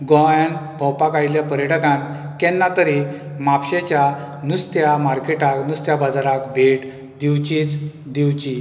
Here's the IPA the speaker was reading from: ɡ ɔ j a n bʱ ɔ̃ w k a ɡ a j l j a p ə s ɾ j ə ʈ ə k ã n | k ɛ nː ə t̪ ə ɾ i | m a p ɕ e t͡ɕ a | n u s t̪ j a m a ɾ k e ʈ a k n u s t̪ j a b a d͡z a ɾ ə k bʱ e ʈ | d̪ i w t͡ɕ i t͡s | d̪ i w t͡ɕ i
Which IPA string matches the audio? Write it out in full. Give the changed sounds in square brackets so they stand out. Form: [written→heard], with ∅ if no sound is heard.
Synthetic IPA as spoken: ɡ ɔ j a n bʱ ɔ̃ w [k→p] a [ɡ→k] a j l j a p ə [s→∅] ɾ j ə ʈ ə k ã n | k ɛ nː [ə→a] t̪ ə ɾ i | m a p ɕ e t͡ɕ a | n u s t̪ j a m a ɾ k e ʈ a k n u s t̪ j a b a d͡z a ɾ [ə→a] k bʱ e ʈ | d̪ i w t͡ɕ i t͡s | d̪ i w t͡ɕ i